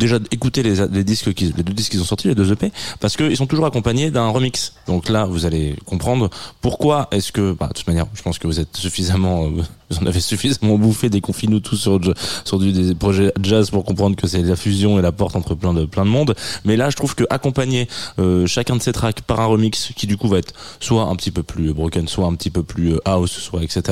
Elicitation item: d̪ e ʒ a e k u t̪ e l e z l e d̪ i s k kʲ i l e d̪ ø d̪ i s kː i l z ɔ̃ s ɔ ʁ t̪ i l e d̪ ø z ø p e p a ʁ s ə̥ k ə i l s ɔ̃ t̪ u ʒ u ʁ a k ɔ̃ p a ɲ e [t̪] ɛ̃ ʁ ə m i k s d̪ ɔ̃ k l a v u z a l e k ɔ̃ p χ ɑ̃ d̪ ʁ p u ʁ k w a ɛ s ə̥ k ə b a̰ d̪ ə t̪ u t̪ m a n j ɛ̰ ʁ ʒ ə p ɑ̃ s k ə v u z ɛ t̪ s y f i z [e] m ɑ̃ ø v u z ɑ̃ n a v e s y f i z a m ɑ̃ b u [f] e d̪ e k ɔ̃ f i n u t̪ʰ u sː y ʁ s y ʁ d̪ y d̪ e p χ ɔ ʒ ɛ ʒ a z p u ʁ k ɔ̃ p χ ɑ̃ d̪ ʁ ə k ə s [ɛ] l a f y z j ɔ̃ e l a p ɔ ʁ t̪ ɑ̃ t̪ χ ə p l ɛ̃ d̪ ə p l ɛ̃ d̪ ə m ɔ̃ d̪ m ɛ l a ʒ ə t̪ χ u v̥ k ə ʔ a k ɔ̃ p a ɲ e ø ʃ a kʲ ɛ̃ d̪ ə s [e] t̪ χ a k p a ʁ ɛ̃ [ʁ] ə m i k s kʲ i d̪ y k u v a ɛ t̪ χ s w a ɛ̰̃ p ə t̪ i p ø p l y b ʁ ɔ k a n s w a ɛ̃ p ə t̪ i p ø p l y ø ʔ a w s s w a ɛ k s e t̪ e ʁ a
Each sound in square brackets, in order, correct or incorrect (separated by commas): incorrect, incorrect, correct, correct, correct, correct